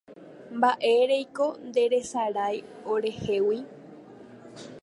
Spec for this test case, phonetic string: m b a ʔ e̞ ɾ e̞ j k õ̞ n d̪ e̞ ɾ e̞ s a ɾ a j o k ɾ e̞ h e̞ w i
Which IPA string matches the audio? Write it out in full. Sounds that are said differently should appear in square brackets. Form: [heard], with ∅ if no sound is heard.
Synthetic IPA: m b a ʔ e̞ ɾ e̞ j k [o̞] n d̪ e̞ ɾ e̞ s a ɾ a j o [∅] ɾ e̞ h e̞ w i

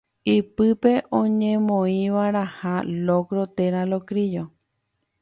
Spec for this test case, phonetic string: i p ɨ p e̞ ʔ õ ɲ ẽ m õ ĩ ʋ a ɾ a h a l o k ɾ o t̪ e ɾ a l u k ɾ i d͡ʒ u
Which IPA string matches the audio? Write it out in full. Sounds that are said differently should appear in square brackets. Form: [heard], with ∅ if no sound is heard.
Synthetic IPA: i p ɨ p e̞ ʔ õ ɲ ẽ m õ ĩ ʋ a ɾ a h a l o k ɾ o t̪ e ɾ a l [o] k ɾ i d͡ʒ [o]

